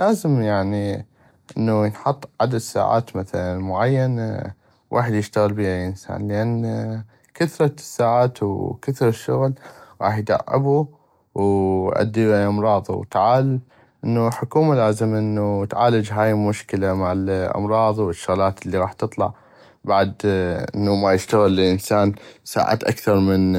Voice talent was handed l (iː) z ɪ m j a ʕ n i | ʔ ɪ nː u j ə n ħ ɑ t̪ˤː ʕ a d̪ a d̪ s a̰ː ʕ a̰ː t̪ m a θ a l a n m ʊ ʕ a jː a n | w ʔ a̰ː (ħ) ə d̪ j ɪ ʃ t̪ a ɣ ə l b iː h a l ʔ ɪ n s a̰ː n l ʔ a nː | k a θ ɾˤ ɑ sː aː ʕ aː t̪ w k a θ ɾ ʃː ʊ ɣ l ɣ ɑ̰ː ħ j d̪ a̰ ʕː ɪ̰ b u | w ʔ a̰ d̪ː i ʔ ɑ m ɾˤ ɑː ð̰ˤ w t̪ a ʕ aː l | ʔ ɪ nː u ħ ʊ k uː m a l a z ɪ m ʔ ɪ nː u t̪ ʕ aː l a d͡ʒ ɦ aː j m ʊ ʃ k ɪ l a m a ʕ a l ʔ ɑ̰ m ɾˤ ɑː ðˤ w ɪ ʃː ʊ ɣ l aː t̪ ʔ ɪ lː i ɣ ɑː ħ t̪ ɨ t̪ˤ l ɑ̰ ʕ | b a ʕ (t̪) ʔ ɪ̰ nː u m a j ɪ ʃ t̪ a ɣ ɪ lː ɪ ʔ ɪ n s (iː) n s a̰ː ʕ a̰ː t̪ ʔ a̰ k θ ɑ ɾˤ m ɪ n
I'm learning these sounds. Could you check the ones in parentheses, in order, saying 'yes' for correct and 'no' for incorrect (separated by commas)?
no, yes, no, no